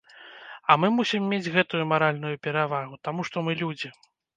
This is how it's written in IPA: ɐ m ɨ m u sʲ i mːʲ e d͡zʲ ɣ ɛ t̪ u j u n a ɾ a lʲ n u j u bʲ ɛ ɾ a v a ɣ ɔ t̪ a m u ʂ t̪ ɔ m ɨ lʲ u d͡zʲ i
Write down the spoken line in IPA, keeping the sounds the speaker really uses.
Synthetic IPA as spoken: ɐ m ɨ m u sʲ i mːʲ e d͡zʲ ɣ ɛ t̪ u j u m a ɾ a lʲ n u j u pʲ ɛ ɾ a v a ɣ u t̪ a m u ʂ t̪ ɔ m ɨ lʲ u d͡zʲ i